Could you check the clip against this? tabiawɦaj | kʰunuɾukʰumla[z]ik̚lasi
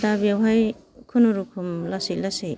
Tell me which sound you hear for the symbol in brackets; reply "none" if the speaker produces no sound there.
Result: s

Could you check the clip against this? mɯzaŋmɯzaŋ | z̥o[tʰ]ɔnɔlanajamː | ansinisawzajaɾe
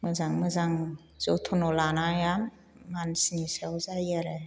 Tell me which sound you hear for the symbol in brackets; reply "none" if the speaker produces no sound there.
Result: tʰ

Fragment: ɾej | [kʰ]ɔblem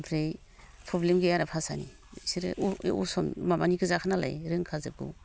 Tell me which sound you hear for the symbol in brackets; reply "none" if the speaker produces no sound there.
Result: pʰ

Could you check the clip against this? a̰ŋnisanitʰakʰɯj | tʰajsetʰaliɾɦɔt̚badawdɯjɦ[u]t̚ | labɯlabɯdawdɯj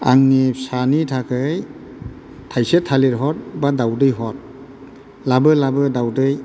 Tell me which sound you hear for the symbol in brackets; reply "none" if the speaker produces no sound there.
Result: ɔ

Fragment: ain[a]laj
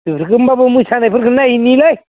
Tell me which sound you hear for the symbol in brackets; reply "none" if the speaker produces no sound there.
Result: i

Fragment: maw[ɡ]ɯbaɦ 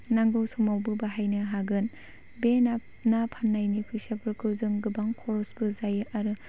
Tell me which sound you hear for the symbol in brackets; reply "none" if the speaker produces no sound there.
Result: b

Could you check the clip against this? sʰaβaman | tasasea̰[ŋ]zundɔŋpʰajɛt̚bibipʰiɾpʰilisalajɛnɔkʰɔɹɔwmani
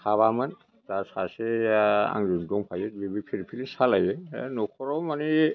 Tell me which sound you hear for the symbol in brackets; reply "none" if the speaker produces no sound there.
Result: ŋ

